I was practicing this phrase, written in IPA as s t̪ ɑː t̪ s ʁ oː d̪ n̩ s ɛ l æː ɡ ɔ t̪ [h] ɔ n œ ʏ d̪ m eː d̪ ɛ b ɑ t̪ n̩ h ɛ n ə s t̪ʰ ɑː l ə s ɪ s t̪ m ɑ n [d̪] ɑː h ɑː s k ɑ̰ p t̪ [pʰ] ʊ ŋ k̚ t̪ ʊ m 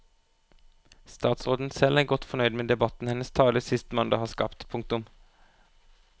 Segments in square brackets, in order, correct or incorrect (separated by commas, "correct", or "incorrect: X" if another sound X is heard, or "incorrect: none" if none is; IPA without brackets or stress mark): incorrect: f, correct, correct